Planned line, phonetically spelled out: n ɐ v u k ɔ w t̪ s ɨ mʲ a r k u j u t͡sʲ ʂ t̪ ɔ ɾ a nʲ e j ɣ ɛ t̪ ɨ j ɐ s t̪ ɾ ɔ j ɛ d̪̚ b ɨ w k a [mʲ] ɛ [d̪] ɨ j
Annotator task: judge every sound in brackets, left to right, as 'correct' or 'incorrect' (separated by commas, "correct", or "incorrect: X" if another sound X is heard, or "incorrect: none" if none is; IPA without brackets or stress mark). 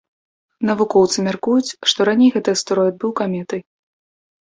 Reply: correct, incorrect: t̪